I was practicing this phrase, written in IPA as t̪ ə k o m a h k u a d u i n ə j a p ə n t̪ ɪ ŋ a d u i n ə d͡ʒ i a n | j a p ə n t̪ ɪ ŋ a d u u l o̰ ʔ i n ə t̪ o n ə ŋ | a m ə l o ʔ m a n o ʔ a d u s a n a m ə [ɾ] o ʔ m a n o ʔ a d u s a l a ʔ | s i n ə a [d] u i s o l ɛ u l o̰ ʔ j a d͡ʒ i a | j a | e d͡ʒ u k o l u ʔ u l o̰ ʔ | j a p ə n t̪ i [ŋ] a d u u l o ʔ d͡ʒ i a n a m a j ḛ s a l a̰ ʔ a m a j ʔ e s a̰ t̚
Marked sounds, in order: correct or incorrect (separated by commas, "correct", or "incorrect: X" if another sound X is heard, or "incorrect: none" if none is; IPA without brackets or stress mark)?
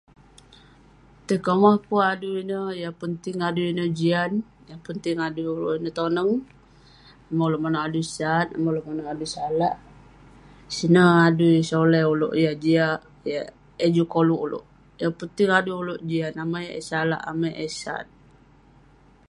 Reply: incorrect: l, correct, correct